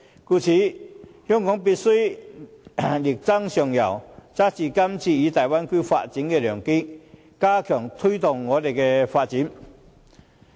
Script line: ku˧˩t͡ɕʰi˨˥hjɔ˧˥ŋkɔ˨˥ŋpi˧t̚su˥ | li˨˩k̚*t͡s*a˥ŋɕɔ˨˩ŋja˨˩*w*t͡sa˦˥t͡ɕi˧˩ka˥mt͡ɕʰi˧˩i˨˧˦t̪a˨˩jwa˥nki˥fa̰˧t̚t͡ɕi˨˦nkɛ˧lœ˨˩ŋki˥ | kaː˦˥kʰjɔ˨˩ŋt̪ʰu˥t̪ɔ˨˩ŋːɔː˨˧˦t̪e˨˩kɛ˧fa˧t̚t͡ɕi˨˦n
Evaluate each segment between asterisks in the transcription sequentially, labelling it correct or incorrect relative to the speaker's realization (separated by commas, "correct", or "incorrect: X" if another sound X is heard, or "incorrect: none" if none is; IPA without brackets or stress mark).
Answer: correct, correct